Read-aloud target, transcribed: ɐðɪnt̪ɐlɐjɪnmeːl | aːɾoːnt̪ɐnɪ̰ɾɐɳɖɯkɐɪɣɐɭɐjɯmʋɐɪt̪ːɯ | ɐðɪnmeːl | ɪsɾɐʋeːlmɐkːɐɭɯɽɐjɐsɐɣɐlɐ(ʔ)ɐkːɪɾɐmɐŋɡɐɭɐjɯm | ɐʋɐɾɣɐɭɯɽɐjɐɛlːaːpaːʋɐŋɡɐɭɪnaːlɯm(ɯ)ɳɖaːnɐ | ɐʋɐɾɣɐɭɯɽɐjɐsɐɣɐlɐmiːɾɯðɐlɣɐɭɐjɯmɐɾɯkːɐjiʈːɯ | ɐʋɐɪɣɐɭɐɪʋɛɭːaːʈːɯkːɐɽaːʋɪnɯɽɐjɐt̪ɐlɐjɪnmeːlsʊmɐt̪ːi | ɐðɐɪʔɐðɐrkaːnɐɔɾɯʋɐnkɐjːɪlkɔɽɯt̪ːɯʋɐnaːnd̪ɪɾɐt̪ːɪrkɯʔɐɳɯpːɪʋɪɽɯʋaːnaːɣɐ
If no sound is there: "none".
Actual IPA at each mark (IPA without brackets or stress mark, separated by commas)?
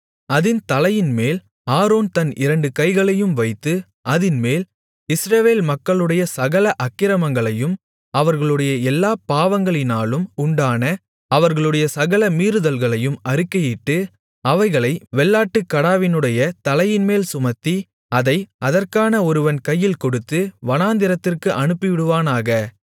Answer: ʔ, ʊ